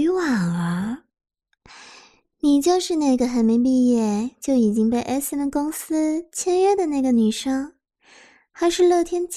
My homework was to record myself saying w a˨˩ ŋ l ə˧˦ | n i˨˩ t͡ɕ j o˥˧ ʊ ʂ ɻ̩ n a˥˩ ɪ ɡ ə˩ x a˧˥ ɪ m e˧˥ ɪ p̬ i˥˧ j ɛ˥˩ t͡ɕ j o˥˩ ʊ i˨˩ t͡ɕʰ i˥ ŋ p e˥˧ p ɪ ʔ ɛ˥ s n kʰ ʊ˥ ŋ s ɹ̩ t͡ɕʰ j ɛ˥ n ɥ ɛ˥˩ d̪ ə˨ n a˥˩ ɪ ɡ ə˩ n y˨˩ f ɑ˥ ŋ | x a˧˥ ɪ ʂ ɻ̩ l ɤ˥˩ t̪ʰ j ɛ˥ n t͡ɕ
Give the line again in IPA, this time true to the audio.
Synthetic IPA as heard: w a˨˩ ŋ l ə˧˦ | n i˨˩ t͡ɕ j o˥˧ ʊ ʂ ɻ̩ n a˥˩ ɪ ɡ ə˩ x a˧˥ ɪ m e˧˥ ɪ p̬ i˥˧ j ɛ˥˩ t͡ɕ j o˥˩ ʊ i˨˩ t͡ɕ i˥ ŋ p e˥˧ ɪ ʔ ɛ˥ s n k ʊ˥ ŋ s ɹ̩ t͡ɕʰ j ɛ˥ n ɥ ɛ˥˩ d̪ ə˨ n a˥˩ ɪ ɡ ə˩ n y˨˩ ʂ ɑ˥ ŋ | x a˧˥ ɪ ʂ ɻ̩ l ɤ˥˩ t̪ʰ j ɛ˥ n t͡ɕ